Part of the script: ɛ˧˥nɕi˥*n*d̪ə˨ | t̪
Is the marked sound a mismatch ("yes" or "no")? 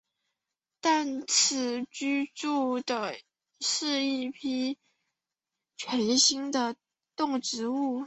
yes